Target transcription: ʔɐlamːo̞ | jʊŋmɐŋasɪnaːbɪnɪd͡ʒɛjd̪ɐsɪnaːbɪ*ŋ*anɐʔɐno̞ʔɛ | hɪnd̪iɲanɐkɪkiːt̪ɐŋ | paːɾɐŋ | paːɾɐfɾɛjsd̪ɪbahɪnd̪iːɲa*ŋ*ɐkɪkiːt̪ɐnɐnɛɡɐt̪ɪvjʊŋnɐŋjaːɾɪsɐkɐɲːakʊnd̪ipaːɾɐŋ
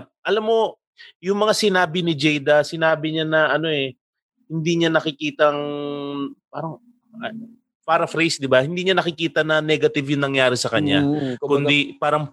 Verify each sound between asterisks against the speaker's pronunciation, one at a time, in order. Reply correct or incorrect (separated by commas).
incorrect, incorrect